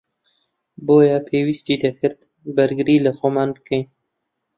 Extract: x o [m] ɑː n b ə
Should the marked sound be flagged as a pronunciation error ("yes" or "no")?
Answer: no